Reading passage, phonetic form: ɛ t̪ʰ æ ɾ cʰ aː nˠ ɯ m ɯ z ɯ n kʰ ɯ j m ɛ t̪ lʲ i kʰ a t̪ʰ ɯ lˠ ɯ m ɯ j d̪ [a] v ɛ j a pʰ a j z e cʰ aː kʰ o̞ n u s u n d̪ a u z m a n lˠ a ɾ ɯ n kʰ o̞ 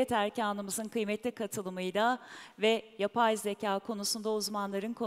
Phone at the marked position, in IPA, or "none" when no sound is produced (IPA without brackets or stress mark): a